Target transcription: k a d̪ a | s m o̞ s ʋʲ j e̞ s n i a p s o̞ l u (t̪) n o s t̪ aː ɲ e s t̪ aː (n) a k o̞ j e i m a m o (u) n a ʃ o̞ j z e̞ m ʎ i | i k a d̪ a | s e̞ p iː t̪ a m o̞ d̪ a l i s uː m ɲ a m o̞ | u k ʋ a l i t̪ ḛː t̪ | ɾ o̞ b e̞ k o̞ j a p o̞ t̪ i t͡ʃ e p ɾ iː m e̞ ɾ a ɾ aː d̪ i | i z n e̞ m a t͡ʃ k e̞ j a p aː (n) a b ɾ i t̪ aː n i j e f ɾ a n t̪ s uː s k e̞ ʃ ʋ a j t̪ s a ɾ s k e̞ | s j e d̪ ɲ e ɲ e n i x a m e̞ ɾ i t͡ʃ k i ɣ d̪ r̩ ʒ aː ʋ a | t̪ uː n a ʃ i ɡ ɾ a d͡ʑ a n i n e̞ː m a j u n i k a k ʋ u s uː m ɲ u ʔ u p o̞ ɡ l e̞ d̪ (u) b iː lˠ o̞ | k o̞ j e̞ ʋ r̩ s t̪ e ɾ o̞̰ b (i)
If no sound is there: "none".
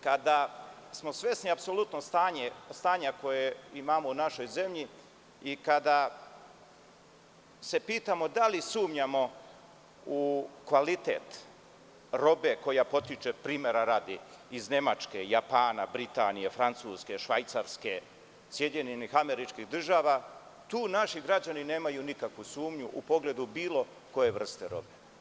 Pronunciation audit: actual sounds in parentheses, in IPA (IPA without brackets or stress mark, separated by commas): t̪, ɲ, u, n, u, e